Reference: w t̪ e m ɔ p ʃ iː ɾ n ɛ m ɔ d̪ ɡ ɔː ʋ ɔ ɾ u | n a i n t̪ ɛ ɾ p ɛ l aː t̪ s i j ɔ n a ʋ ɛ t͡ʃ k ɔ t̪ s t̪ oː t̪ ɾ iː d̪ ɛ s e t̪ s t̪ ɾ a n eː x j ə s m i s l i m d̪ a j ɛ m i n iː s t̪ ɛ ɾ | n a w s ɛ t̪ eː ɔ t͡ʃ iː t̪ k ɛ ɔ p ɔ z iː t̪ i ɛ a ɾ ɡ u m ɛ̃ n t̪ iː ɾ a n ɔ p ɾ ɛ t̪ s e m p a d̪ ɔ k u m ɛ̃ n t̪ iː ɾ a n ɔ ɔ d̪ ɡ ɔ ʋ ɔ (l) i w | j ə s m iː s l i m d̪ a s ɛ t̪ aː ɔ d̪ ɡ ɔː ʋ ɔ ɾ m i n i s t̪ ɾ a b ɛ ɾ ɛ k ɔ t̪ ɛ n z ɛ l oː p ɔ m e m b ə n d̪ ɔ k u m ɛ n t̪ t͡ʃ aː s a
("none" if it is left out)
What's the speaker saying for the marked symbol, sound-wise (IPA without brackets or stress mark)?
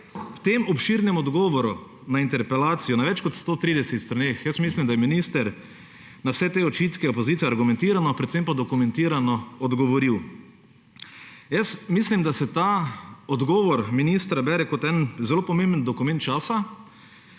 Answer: ɾ